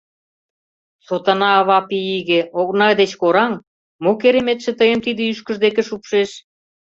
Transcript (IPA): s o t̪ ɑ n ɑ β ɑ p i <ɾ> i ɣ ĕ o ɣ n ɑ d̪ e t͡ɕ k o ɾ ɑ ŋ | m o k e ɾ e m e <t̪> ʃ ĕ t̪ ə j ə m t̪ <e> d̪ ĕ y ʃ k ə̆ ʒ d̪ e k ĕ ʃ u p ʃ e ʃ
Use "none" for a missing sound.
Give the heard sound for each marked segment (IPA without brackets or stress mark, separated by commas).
none, t̪, i